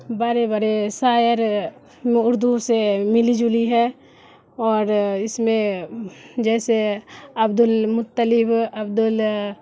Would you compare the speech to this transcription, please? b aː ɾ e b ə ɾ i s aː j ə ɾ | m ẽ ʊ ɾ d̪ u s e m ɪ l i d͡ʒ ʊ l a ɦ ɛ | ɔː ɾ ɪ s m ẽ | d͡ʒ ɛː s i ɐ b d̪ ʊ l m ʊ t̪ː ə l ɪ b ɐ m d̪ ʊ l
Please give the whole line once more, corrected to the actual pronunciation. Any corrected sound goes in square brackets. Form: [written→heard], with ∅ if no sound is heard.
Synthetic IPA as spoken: b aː ɾ e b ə ɾ [i→e] s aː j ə ɾ | m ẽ ʊ ɾ d̪ u s e m ɪ l i d͡ʒ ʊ l [a→i] ɦ ɛ | ɔː ɾ ɪ s m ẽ | d͡ʒ ɛː s [i→e] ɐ b d̪ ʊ l m ʊ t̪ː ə l ɪ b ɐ [m→b] d̪ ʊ l